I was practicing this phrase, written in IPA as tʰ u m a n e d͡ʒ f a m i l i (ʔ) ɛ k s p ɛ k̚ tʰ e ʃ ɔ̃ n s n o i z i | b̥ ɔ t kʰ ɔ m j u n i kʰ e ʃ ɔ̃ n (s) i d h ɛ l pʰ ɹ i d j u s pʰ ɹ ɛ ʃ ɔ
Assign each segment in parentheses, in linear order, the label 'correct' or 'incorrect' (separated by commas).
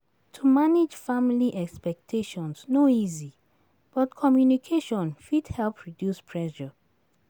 correct, incorrect